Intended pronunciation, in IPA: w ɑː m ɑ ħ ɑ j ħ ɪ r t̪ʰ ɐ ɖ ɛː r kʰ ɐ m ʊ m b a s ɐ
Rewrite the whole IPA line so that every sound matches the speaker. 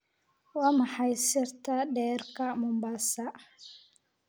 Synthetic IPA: w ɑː m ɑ ħ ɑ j s ɪ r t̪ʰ ɐ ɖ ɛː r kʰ ɐ m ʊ m b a s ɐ